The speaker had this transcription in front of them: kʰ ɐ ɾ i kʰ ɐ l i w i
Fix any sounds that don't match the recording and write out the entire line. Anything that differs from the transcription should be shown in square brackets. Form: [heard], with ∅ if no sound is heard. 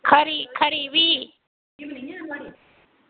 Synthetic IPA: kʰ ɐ ɾ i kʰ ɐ [ɾ] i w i